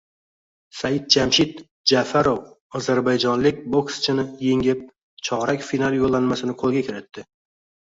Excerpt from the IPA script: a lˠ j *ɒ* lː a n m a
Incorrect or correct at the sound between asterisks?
incorrect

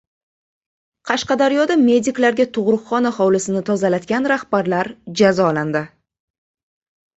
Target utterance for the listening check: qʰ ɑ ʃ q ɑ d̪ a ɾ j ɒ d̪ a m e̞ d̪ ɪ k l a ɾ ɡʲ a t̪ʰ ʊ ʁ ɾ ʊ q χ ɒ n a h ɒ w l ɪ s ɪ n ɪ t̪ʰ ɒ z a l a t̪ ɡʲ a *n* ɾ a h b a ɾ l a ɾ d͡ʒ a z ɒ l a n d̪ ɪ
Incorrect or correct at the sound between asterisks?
correct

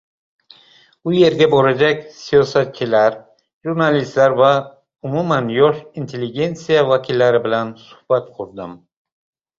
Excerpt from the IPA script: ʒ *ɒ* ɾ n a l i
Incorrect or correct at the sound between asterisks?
incorrect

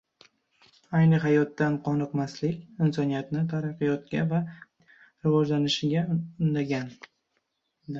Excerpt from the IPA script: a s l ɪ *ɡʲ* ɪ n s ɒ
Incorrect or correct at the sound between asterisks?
incorrect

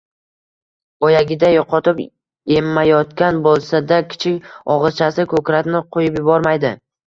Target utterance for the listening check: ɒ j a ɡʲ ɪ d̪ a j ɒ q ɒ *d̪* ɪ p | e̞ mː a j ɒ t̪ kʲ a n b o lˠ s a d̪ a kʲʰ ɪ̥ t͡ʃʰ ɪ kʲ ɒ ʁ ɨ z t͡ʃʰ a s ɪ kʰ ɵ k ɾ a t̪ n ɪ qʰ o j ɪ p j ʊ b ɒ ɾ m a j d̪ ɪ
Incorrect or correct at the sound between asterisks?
incorrect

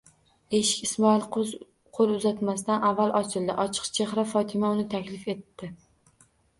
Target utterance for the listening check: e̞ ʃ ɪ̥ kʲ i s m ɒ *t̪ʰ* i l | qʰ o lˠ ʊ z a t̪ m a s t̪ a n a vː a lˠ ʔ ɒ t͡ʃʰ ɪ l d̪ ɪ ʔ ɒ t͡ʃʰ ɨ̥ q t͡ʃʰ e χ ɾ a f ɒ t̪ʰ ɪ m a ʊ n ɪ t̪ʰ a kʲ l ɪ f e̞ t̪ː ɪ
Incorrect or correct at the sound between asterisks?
incorrect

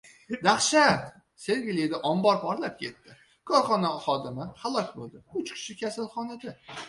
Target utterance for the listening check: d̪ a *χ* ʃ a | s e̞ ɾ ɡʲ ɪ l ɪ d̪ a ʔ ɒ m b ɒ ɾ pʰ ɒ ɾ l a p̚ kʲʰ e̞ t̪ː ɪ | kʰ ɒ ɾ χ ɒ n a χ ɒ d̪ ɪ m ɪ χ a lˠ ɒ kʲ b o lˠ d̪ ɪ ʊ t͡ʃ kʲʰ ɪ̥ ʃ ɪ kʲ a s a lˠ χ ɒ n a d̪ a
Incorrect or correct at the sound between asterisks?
correct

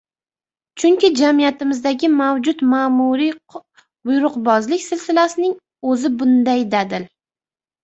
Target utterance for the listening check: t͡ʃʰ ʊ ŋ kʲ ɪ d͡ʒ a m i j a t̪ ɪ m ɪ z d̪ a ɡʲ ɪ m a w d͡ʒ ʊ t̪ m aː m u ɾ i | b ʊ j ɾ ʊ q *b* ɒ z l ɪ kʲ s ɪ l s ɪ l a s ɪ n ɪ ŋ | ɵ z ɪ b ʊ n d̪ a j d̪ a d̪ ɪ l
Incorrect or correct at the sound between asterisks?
correct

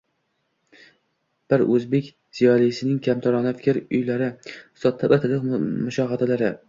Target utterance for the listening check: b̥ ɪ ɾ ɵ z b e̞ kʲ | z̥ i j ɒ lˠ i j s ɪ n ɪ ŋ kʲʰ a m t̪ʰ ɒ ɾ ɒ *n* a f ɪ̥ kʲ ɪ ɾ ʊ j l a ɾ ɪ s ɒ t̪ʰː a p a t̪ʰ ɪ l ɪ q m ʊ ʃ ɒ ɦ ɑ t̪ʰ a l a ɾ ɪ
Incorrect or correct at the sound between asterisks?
correct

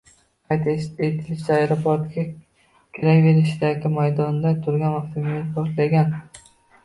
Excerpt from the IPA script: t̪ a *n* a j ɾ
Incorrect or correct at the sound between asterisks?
incorrect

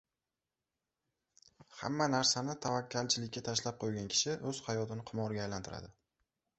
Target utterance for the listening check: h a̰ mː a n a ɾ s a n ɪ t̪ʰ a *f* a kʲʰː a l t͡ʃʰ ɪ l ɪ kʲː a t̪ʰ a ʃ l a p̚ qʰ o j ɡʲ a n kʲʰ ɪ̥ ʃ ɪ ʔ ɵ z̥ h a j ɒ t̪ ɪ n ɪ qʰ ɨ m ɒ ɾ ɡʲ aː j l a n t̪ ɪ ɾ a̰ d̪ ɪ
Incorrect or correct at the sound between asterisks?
incorrect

